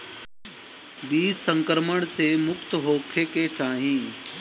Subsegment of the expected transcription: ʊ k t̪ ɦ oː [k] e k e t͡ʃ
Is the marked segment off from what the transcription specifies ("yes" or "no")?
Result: yes